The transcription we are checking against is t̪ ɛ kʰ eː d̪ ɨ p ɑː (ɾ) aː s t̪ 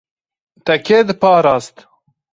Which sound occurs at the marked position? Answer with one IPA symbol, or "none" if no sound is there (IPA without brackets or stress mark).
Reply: ɾ